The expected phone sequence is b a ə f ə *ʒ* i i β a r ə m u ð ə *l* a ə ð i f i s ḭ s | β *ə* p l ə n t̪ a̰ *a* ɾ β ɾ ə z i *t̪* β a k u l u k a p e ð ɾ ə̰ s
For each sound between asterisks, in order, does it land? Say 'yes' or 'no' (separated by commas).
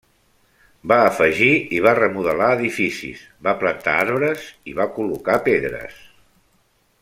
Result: yes, yes, no, yes, no